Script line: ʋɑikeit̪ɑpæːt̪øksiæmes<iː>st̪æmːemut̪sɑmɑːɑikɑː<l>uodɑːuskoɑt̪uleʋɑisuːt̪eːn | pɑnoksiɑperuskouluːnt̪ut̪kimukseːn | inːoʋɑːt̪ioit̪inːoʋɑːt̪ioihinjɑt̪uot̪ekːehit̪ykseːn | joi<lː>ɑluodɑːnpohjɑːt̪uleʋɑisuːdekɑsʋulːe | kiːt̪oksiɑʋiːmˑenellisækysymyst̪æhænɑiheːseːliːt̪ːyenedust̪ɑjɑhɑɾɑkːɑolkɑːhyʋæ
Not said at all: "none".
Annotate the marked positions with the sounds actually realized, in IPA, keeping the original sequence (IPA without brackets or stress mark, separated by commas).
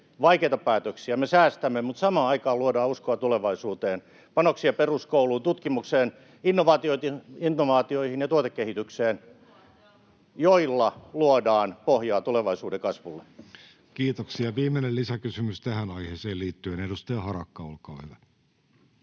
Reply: æː, l, lː